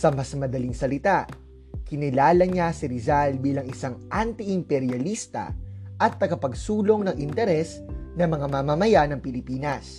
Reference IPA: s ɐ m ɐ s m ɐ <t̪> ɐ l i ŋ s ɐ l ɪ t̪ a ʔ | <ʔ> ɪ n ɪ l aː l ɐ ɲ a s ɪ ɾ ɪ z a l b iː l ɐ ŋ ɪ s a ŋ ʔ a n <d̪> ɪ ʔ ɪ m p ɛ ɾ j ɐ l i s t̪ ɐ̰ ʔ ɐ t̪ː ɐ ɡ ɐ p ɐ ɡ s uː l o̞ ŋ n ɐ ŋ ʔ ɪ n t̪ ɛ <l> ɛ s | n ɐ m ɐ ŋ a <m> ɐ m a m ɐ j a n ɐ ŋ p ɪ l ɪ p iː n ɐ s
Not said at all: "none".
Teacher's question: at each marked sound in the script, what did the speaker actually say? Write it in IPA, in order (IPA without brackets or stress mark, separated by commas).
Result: d̪, k, t̪, ɾ, m